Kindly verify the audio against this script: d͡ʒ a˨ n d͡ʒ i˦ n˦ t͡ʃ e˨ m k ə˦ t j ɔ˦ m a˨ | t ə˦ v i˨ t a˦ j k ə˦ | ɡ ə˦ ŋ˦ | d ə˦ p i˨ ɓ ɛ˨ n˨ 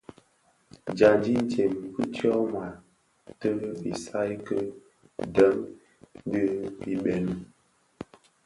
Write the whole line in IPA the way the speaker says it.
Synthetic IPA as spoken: d͡ʒ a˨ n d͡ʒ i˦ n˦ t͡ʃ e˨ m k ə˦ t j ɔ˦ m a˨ | t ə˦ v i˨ s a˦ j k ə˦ | d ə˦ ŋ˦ | d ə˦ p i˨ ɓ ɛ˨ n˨

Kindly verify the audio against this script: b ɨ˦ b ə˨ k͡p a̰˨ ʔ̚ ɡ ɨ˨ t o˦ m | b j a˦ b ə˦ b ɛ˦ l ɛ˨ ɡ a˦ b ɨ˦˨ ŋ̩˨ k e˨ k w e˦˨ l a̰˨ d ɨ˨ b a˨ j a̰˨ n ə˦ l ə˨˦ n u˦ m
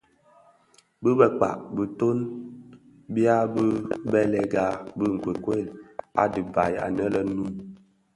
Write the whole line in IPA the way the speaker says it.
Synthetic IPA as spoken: b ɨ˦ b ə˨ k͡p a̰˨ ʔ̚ b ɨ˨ t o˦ n | b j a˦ b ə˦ b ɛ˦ l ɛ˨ ɡ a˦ b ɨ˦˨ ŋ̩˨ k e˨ k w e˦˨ l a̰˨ d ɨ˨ b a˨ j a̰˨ n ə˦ l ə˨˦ n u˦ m

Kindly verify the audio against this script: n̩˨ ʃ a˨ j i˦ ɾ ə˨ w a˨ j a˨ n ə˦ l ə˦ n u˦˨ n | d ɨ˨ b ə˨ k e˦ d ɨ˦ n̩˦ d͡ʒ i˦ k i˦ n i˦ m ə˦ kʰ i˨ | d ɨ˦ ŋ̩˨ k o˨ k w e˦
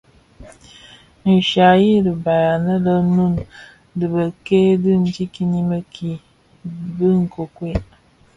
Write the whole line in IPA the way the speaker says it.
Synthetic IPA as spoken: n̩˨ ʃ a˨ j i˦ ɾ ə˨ b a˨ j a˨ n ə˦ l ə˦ n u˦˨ n | d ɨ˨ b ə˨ k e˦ d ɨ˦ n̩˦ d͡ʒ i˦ k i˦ n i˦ m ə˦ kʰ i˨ | b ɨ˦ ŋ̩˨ k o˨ k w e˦

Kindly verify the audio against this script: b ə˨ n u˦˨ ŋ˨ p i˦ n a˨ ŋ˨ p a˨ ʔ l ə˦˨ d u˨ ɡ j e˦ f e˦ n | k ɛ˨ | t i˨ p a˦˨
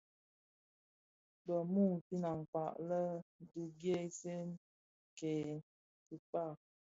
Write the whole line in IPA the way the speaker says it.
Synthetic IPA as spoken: b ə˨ m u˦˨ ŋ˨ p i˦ n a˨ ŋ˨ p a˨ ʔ l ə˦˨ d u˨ ɡ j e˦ s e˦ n | k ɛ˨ | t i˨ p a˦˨

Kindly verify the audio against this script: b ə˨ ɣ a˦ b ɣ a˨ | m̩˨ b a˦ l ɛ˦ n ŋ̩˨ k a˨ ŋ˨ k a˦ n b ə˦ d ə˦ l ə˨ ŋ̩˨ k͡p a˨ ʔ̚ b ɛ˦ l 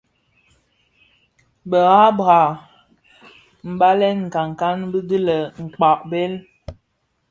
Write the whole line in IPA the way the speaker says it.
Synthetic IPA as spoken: b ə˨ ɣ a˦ b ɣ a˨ | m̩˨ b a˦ l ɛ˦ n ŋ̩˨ k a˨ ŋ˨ k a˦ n b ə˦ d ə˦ l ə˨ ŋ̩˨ k͡p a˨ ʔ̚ b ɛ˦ l

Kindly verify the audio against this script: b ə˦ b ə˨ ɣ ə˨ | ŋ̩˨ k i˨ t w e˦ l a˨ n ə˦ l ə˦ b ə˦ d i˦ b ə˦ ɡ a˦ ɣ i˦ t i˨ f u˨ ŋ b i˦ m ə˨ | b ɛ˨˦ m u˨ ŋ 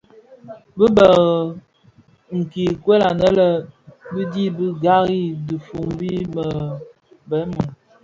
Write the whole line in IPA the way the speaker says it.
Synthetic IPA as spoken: b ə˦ b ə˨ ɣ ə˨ | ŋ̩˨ k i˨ k w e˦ l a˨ n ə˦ l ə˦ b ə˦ d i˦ b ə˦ ɡ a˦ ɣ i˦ d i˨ f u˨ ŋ b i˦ m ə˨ | b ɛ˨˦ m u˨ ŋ

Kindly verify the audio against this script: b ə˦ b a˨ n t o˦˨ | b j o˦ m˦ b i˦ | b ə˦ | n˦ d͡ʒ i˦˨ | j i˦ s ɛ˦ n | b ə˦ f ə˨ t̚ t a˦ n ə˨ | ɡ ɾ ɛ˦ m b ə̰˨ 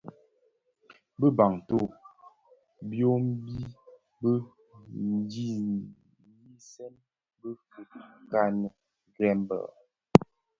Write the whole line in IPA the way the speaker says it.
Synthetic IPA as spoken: b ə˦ b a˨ ŋ t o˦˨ | b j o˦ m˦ b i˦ | b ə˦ | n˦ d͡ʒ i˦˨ | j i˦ s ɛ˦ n | b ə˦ f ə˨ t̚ k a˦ n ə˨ | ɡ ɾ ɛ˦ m b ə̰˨

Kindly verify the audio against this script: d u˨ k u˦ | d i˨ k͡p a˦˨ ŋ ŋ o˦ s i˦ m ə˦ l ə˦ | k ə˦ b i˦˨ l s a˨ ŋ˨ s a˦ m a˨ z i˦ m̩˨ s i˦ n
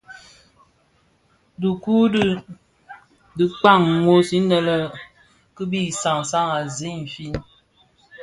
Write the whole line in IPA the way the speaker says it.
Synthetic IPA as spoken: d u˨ k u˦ | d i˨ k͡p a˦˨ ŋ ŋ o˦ s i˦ n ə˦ l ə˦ | k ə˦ b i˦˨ s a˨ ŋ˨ s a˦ ŋ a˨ z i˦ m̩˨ f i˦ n

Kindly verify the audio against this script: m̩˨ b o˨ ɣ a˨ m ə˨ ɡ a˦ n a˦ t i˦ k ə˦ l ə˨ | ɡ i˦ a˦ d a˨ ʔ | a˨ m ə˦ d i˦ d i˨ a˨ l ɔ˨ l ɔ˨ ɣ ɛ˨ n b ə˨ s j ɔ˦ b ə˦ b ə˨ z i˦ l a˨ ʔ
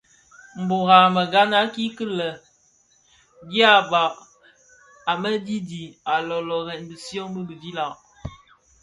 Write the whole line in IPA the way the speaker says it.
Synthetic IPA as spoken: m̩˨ b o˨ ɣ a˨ m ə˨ ɡ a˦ n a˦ k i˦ k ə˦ l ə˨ | ɡ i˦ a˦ b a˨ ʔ | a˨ m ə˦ d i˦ d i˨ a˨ l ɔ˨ l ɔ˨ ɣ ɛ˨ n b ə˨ s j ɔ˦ b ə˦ b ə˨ v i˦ l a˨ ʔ

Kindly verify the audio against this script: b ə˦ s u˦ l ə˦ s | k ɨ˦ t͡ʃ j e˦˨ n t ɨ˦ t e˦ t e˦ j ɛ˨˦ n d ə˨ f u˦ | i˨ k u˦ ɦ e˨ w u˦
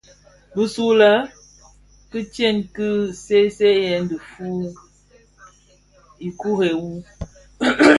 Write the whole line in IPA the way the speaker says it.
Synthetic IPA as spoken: b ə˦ s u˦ l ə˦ | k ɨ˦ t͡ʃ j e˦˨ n k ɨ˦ s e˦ s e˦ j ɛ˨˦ n d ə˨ f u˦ | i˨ k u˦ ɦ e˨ w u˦

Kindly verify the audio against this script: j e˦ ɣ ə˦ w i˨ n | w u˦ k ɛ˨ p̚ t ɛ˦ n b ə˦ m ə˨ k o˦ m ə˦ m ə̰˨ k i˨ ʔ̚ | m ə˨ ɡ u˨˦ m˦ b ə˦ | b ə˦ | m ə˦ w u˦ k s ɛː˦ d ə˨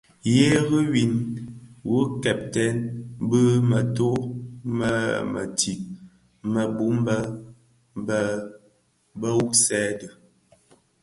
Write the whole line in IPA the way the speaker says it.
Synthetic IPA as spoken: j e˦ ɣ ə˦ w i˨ n | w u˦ k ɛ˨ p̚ t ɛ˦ n b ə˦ m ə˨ t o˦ m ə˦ m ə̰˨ t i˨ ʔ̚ | m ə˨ b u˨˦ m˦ b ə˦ | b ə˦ | b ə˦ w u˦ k s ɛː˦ d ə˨

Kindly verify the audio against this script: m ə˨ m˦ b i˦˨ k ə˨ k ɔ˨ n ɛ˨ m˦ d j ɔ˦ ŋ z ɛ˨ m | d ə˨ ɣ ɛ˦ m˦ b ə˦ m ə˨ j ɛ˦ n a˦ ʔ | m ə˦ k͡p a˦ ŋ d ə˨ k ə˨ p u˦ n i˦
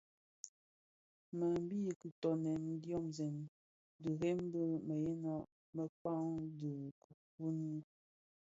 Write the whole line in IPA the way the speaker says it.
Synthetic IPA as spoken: m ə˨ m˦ b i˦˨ k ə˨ t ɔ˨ n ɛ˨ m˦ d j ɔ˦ m z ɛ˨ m | d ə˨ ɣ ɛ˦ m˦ b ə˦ m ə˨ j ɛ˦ n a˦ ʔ | m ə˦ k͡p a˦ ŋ d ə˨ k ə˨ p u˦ n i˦

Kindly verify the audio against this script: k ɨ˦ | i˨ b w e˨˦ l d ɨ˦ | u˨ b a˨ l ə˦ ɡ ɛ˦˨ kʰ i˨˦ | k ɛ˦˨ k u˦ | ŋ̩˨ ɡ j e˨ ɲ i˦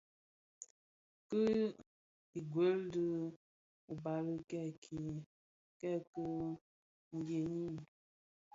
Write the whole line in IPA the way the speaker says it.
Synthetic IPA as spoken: k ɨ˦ | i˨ ɡ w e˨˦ l d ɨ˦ | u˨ b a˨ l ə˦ k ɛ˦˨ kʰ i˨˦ | k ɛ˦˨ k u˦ | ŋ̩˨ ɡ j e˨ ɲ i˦

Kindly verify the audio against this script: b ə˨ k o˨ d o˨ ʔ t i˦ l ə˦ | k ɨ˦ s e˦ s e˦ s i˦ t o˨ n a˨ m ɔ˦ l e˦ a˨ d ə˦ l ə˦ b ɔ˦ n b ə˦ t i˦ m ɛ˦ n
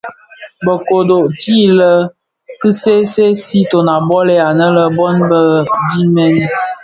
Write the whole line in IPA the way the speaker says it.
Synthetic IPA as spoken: b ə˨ k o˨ d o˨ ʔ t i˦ l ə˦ | k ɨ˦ s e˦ s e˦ s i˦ t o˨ n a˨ b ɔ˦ l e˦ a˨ n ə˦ l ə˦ b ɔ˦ n b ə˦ d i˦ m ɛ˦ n

